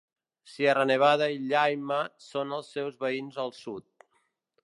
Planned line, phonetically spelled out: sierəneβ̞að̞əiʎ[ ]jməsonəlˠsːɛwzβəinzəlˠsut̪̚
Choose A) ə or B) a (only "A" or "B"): B